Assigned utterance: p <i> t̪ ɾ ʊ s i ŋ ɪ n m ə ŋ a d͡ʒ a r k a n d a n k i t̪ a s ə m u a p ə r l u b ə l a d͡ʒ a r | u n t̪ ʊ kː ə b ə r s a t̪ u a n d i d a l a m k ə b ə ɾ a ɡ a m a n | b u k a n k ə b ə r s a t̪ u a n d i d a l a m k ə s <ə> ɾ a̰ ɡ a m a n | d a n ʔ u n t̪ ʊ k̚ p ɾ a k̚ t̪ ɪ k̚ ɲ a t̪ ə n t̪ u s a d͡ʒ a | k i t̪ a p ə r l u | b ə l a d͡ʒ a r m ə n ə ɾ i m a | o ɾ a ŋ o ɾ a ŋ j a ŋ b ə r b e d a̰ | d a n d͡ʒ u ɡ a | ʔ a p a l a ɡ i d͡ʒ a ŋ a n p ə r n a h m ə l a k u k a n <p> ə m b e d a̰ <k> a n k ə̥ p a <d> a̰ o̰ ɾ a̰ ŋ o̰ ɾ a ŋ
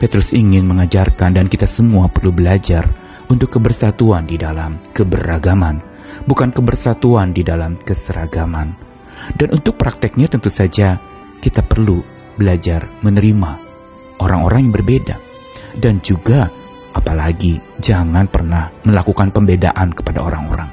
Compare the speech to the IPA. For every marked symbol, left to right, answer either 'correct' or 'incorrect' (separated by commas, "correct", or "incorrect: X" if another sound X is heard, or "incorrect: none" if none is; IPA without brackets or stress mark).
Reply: incorrect: e, correct, correct, incorrect: ʔ, correct